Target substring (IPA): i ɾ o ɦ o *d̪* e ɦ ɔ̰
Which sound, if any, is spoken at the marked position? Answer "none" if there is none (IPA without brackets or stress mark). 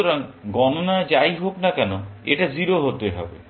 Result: t̪